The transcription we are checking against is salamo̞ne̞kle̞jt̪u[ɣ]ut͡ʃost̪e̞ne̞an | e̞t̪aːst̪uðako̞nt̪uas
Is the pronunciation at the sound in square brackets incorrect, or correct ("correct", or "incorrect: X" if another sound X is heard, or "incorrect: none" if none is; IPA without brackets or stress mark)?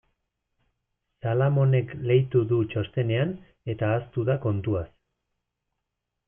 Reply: incorrect: ð